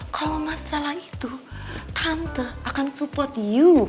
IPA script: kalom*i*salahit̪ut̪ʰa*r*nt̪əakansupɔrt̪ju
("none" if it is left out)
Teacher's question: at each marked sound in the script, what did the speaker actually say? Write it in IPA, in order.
a, none

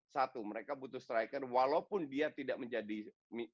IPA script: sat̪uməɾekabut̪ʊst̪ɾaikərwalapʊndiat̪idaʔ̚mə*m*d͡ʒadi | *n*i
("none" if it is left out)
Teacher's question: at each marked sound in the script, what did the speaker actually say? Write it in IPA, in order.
ɲ, m

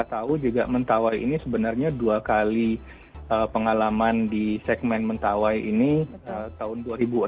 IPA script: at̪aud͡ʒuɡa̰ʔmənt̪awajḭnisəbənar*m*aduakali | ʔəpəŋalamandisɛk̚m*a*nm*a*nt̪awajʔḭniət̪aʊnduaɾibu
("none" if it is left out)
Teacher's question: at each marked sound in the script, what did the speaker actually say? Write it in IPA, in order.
ɲ, ɛ, ə

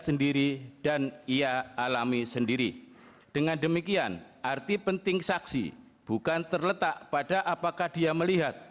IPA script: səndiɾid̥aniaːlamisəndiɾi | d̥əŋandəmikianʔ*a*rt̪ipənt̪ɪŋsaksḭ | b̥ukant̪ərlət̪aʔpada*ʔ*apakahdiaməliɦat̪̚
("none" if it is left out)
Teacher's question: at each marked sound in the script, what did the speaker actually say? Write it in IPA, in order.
a, ʔ

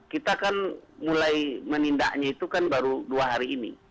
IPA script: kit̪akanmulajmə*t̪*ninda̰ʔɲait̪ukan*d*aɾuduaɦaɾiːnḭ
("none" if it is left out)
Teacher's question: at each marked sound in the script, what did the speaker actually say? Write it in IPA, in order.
none, b

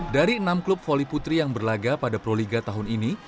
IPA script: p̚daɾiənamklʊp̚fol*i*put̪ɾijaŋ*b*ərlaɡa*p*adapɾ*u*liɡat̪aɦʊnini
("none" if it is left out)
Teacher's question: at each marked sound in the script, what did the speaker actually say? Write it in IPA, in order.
i, b, p, o

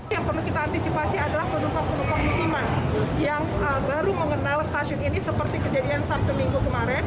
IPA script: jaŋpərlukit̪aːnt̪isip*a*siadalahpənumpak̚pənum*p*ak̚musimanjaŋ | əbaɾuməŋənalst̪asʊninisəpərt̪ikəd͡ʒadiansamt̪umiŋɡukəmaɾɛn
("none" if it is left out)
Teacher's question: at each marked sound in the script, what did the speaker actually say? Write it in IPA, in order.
a, p

